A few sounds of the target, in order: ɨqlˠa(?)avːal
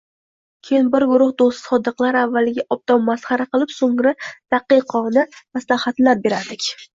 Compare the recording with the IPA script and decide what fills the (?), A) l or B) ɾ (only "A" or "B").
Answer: B